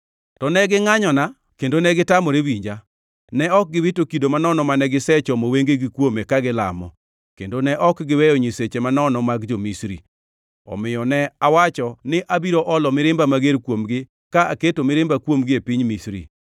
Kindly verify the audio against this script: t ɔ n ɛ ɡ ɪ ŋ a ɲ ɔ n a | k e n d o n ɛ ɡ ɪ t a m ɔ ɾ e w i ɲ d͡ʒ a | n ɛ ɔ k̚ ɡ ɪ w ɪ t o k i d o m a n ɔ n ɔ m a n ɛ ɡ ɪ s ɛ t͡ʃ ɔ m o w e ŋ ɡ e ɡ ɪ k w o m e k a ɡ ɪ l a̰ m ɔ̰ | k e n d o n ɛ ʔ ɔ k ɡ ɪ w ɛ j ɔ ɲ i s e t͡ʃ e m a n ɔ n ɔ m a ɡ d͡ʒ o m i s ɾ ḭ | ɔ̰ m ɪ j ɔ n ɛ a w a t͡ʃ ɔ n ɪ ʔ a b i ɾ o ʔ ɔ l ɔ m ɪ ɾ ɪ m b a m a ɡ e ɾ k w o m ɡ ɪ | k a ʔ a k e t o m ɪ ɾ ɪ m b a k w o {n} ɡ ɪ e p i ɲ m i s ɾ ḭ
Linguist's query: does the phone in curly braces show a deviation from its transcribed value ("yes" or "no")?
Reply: yes